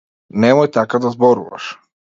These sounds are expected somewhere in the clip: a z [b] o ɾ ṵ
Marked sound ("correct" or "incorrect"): correct